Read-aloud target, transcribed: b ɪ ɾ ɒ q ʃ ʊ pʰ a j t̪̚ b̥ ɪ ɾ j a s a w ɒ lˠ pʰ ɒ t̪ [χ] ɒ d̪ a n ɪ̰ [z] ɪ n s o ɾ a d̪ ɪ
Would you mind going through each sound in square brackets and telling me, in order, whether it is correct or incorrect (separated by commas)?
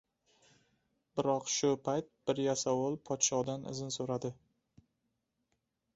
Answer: incorrect, correct